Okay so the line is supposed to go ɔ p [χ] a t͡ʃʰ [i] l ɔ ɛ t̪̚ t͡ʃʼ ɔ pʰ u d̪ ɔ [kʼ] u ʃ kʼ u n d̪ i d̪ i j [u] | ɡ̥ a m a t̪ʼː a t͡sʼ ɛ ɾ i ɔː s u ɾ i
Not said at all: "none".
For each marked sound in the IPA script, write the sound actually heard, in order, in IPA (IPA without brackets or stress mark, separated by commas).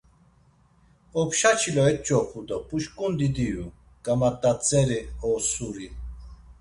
ʃ, i, pʼ, u